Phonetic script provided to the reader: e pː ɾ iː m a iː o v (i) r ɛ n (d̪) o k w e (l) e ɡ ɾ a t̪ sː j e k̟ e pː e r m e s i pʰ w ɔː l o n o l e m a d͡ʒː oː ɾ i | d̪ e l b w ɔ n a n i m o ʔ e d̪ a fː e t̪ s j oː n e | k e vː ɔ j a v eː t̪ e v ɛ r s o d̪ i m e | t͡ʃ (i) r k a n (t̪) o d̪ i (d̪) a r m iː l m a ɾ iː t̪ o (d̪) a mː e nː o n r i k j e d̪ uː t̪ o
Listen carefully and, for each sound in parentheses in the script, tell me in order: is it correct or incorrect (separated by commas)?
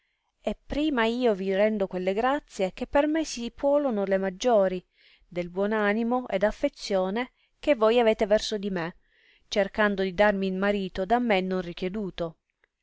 correct, correct, incorrect, incorrect, incorrect, correct, correct